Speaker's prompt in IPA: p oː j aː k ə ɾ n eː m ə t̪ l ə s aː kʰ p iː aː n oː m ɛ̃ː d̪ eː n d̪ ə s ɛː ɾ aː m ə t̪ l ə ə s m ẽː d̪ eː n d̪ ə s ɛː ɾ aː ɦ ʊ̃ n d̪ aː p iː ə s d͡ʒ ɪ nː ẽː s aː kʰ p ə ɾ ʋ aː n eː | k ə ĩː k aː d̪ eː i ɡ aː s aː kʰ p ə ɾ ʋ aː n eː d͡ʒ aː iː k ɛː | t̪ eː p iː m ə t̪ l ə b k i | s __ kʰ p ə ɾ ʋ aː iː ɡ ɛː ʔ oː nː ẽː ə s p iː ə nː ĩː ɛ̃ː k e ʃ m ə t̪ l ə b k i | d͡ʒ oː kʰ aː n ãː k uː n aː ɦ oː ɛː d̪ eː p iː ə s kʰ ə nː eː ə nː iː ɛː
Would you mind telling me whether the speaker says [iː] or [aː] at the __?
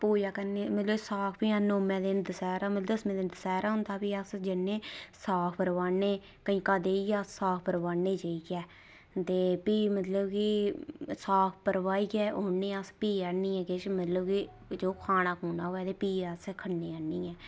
aː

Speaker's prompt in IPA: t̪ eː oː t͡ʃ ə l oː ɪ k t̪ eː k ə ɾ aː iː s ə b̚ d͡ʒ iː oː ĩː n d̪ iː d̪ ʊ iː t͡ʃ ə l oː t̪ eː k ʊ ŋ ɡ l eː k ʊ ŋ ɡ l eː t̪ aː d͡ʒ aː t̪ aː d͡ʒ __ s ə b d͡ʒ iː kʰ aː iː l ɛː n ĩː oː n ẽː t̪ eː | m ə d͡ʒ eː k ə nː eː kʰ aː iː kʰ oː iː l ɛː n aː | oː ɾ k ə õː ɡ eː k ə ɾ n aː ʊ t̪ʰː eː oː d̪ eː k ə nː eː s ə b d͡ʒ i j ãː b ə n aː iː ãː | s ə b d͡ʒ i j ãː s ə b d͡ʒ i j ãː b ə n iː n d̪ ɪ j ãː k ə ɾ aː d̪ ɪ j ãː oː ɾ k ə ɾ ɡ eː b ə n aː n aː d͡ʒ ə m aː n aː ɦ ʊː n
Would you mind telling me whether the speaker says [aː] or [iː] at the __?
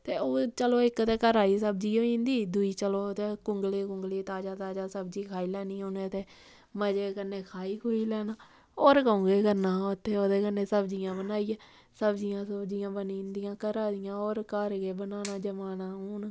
aː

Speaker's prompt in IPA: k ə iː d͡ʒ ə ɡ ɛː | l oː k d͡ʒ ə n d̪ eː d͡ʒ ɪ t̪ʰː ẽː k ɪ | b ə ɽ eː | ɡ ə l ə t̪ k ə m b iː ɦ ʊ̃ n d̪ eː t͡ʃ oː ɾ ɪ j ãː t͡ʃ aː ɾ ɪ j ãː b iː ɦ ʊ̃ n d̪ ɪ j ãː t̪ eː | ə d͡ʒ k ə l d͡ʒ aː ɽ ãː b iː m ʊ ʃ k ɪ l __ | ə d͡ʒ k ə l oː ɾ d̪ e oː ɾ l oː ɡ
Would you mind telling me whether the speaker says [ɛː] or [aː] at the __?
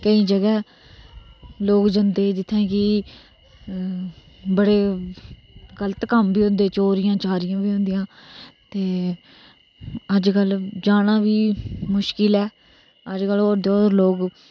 ɛː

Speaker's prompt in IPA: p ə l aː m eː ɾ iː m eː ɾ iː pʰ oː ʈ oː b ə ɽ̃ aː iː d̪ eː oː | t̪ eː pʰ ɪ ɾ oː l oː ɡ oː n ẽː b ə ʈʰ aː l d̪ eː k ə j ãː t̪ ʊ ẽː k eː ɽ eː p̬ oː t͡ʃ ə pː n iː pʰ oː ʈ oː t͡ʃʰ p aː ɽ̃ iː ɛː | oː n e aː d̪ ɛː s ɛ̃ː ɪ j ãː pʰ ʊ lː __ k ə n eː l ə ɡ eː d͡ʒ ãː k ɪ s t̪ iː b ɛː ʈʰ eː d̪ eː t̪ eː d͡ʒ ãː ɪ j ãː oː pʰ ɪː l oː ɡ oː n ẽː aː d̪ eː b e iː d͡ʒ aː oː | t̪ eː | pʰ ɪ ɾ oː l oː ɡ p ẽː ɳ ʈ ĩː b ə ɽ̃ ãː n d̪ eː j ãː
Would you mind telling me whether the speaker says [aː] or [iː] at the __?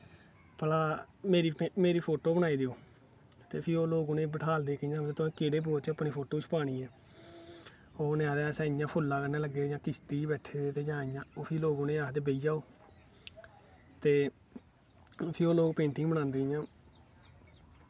aː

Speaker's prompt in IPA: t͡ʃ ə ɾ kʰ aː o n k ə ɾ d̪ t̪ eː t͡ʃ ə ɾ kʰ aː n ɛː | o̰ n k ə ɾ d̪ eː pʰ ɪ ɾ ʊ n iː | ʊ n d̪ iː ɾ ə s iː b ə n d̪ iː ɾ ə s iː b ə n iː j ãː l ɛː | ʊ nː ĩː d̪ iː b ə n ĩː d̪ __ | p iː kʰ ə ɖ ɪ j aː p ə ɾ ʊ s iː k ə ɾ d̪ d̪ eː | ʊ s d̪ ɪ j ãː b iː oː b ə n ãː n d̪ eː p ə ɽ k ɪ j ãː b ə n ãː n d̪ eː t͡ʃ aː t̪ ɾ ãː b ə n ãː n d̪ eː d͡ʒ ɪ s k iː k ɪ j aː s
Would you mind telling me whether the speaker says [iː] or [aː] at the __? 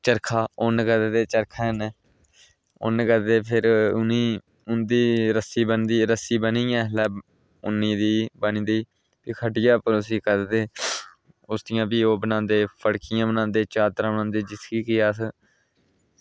iː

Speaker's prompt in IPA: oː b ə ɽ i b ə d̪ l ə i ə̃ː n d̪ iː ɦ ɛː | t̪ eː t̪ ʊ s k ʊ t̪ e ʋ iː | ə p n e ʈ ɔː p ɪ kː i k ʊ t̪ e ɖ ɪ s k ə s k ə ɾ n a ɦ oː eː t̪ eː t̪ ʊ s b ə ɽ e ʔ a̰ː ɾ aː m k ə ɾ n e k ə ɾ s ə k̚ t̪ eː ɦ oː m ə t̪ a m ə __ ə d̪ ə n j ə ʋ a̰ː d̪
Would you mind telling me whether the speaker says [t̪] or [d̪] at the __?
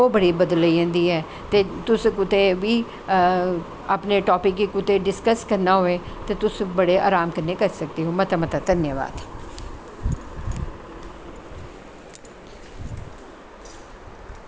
t̪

